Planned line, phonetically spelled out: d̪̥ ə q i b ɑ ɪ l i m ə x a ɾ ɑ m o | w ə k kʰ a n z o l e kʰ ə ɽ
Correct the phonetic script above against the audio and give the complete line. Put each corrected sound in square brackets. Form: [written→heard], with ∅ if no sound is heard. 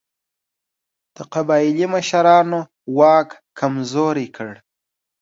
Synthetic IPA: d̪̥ ə q [i→a] b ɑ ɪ l i m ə [x→ʃ] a ɾ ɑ [m→n] o | w [ə→ɑ] k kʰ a [n→m] z o [l→ɾ] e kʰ ə ɽ